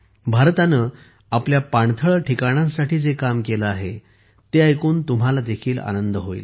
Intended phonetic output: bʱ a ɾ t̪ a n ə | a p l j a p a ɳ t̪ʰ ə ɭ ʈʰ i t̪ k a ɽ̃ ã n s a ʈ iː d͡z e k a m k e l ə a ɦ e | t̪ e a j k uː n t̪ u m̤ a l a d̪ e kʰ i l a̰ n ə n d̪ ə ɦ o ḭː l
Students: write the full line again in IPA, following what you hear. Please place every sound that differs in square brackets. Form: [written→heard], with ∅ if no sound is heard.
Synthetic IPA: bʱ a ɾ t̪ a n ə | a p l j a p a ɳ t̪ʰ ə ɭ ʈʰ i [t̪→∅] k a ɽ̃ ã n s a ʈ iː d͡z e k a m k e l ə a ɦ e | t̪ e a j k uː n t̪ u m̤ a l a d̪ e kʰ [i→iː] l a̰ n ə n d̪ ə ɦ o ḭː l